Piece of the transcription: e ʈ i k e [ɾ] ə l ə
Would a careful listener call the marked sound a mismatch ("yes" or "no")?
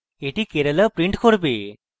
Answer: no